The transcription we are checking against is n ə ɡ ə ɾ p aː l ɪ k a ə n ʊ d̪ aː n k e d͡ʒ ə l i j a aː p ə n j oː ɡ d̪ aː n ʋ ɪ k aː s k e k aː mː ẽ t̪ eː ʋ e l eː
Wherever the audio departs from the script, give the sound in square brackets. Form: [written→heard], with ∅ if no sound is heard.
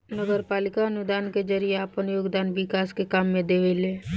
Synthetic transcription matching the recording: n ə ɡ ə ɾ p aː l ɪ k a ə n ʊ d̪ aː n k e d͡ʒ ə [l→ɾ] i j [a→e] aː p ə n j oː ɡ d̪ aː n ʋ ɪ k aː s k e k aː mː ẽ [t̪→d̪] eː ʋ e l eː